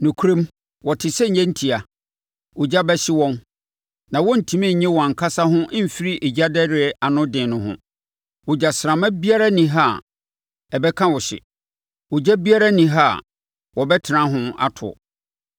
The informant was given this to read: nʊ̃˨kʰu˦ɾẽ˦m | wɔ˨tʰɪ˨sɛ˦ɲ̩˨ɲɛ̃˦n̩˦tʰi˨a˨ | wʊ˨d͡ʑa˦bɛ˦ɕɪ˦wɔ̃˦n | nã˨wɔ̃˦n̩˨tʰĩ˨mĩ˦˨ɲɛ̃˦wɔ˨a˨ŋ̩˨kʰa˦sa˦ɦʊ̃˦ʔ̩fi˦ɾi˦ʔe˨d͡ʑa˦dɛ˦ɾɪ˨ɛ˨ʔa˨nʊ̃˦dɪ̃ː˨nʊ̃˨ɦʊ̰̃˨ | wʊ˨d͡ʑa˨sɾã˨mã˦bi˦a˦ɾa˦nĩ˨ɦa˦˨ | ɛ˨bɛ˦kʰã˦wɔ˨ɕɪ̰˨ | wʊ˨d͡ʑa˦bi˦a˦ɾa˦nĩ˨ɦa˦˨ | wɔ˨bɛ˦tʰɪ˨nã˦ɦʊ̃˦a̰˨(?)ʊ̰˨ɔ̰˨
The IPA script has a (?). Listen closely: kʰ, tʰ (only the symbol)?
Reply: tʰ